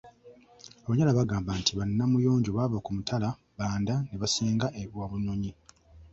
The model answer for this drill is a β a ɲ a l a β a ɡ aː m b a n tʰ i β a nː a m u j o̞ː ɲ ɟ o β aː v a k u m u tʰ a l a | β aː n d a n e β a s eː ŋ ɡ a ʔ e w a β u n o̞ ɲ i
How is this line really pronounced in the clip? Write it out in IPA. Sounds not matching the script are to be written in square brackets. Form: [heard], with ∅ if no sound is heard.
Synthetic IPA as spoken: a β a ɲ a l a β a ɡ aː m b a n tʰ i β a nː a m u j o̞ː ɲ ɟ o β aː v a k u m u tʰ a l a | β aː n d a n e β a s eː ŋ ɡ a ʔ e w a β u n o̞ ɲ i